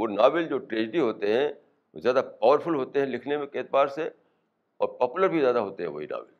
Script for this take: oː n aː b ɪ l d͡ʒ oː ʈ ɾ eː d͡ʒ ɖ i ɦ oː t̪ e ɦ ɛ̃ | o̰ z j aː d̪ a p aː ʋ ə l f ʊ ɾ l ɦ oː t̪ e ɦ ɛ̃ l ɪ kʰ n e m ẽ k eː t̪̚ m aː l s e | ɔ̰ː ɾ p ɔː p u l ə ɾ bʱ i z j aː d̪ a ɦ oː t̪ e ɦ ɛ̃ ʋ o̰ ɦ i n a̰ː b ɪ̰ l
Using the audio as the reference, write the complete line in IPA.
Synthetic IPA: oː n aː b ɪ l d͡ʒ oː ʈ ɾ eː d͡ʒ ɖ i ɦ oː t̪ e ɦ ɛ̃ | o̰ z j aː d̪ a p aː ʋ ə ɾ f ʊ l ɦ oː t̪ e ɦ ɛ̃ l ɪ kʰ n e m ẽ k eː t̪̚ b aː ɾ s e | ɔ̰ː ɾ p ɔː p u l ə ɾ bʱ i z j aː d̪ a ɦ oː t̪ e ɦ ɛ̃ ʋ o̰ ɦ i n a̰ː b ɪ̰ l